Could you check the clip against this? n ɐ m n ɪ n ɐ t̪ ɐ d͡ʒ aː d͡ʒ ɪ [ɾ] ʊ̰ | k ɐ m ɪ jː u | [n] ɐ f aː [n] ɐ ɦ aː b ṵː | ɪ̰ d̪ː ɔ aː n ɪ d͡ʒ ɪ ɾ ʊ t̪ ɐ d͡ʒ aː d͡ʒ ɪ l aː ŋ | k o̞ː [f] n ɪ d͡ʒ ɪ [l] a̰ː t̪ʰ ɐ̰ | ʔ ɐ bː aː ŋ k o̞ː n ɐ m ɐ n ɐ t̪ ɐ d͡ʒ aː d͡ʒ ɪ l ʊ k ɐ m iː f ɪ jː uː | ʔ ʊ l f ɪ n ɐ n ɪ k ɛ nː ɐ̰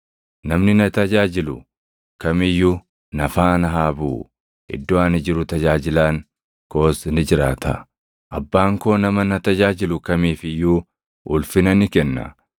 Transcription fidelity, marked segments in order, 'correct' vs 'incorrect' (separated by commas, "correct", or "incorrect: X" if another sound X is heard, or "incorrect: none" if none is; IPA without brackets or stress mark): incorrect: l, correct, correct, incorrect: s, incorrect: ɾ